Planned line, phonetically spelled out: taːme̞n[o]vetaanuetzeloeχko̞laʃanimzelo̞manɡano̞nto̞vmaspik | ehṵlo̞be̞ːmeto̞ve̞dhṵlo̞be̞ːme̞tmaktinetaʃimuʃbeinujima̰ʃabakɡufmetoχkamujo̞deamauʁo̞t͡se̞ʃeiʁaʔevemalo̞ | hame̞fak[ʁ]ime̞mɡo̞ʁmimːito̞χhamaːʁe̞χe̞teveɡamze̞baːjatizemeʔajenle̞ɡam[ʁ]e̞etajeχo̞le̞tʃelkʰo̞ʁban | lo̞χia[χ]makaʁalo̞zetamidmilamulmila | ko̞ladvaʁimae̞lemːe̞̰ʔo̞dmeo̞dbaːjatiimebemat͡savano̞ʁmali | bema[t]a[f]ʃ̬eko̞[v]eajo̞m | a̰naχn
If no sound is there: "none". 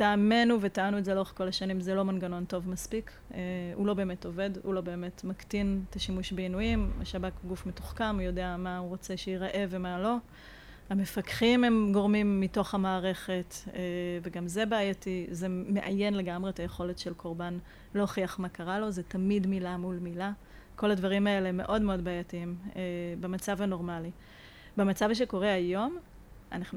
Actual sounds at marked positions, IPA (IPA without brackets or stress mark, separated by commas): u, χ, ʁ, χ, t͡s, v, ʁ